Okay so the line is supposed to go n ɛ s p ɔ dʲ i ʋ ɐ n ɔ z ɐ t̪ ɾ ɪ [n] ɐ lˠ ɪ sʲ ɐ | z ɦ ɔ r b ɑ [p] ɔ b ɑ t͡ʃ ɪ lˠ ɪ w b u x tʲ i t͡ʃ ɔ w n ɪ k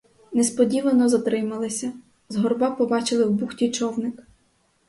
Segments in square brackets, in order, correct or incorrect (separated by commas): incorrect, correct